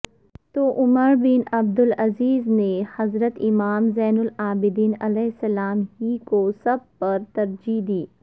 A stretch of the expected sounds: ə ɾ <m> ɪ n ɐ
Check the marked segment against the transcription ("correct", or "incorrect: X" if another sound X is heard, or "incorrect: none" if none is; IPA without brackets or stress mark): incorrect: b